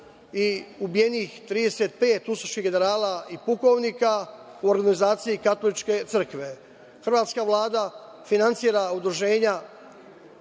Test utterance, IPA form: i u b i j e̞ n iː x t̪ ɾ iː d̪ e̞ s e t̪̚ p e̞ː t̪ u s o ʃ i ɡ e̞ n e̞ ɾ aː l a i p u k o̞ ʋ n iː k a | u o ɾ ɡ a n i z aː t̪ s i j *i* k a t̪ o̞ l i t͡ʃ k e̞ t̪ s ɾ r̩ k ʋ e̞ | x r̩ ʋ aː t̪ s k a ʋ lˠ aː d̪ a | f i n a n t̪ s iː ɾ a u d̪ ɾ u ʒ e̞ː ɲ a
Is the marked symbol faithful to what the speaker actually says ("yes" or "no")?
yes